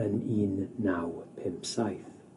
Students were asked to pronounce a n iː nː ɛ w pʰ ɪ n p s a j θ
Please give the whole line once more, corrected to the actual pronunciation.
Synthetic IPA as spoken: ə n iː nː a w pʰ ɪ m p s a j θ